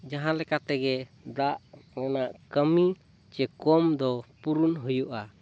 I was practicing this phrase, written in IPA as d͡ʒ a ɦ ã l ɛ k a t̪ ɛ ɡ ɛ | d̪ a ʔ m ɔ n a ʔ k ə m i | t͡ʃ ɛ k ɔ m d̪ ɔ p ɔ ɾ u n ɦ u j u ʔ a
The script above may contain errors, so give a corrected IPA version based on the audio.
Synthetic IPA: d͡ʒ a ɦ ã l ɛ k a t̪ ɛ ɡ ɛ | d̪ a ʔ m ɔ n a ʔ k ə m i | t͡ʃ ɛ k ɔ m d̪ ɔ p u ɾ u n ɦ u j u ʔ a